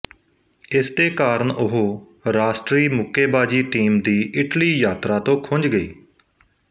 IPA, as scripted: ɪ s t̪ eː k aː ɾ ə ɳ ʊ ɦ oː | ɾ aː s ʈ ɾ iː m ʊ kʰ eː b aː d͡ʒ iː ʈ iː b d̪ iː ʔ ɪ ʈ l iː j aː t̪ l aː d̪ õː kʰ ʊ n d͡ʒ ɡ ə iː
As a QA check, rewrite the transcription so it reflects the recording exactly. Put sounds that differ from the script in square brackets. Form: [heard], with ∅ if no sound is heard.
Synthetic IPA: ɪ s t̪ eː k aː ɾ ə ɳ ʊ ɦ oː | ɾ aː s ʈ ɾ iː m ʊ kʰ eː b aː d͡ʒ iː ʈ iː [m] d̪ iː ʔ ɪ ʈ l iː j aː t̪ [ɾ] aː [t̪] õː kʰ ʊ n d͡ʒ ɡ ə iː